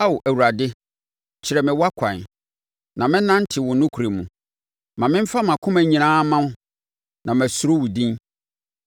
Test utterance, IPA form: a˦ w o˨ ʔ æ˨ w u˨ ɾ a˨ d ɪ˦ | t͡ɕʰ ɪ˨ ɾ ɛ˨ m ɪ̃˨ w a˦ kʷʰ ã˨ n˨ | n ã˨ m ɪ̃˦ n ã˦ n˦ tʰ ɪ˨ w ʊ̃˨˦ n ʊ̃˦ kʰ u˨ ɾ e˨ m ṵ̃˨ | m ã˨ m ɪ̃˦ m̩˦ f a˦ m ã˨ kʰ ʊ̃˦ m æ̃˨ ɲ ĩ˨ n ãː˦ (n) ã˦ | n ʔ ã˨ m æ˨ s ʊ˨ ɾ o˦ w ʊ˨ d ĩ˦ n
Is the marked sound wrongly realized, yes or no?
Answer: yes